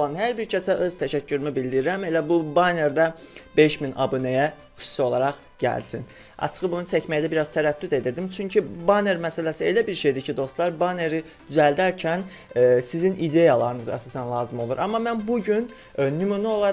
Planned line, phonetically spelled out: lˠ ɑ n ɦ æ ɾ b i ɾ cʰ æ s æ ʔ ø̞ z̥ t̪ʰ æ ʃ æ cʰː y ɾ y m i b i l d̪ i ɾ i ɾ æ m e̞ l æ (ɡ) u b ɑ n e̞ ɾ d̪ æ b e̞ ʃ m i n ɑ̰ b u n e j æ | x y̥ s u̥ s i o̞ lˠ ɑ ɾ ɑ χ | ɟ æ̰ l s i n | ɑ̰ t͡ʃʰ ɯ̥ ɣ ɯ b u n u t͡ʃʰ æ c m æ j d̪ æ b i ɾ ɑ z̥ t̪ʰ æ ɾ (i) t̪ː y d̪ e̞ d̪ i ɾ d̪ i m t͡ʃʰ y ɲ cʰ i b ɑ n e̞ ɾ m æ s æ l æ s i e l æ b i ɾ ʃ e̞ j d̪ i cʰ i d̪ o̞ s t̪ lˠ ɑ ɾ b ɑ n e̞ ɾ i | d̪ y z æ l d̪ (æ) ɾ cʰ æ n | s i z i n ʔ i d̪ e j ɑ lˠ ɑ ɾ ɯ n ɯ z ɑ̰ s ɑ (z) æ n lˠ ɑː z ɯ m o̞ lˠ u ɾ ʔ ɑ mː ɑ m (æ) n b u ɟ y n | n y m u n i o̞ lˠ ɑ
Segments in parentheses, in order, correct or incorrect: incorrect: b, incorrect: æ, correct, incorrect: s, correct

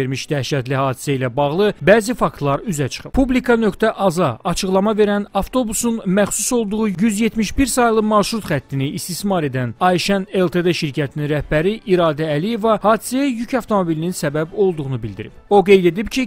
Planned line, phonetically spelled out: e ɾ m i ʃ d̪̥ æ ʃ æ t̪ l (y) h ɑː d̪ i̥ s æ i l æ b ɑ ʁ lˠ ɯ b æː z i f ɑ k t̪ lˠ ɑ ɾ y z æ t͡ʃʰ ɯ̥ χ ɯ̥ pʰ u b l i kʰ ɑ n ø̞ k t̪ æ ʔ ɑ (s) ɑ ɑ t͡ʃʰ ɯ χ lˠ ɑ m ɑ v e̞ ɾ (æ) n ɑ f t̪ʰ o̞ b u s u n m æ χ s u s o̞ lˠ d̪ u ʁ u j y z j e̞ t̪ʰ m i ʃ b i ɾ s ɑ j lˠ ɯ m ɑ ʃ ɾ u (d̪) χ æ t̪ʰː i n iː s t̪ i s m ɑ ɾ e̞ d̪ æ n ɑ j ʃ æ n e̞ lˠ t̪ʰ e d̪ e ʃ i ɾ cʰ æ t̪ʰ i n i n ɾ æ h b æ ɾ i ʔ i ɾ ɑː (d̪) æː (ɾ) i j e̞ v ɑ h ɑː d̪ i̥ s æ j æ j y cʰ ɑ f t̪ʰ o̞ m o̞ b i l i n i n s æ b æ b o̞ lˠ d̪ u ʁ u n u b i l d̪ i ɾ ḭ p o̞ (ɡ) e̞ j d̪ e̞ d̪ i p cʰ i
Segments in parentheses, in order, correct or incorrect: incorrect: i, incorrect: z, correct, incorrect: t̪, correct, incorrect: l, correct

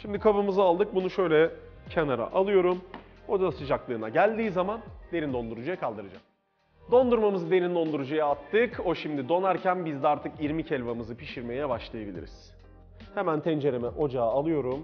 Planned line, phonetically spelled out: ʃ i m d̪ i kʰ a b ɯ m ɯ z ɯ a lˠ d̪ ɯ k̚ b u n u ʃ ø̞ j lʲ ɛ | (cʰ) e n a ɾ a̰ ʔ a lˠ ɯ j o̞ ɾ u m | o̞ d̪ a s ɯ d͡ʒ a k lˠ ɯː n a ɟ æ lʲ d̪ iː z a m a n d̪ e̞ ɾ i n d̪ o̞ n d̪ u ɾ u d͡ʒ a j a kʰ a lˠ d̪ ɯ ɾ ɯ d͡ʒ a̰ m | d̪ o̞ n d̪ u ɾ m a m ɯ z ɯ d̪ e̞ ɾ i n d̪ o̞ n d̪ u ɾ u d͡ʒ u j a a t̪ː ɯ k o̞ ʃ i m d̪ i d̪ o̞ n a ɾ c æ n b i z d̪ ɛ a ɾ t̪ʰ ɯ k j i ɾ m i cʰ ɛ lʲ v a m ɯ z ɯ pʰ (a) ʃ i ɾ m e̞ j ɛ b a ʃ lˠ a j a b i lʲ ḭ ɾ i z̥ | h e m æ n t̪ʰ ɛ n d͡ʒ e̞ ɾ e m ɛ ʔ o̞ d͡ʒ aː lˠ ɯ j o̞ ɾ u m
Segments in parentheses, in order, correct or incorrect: correct, incorrect: i

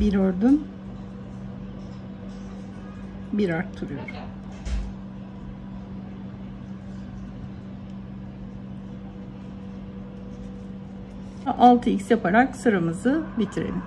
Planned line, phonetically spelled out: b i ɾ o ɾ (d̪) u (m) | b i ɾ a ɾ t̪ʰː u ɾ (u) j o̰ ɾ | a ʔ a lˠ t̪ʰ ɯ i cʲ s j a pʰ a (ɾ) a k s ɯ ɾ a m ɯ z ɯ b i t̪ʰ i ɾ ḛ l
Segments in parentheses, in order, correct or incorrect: correct, incorrect: n, correct, correct

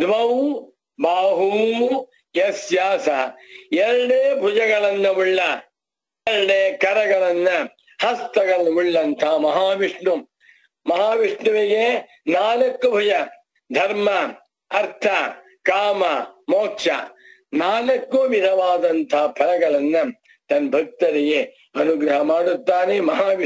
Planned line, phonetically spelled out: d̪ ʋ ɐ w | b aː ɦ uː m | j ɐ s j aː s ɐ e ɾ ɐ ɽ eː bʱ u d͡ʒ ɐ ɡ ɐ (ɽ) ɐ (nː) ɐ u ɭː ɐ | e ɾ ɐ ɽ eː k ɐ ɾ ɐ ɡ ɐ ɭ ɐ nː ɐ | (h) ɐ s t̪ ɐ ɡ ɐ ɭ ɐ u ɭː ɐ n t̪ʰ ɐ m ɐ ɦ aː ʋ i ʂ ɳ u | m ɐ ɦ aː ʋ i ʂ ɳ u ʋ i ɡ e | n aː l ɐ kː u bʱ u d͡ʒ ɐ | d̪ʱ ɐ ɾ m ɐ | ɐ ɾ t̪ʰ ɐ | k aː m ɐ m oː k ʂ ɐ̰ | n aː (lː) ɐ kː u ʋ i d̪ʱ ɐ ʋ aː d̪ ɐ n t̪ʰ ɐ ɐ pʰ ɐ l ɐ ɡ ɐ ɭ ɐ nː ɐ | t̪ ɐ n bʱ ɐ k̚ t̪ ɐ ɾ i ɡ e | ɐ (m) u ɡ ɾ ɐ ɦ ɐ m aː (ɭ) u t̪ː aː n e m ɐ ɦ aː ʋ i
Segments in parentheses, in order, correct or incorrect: incorrect: ɭ, correct, correct, incorrect: l, incorrect: n, incorrect: ɽ

